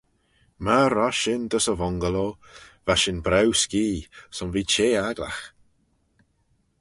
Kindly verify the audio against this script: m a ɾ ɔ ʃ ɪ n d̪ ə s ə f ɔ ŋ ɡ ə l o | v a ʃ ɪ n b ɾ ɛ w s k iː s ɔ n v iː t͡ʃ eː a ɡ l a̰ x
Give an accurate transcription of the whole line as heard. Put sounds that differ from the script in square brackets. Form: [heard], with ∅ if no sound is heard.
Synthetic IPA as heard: m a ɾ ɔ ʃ ɪ n d̪ ə s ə [v] ɔ ŋ ɡ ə l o | v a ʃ ɪ n b ɾ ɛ w s k iː s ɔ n v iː t͡ʃ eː a ɡ l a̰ x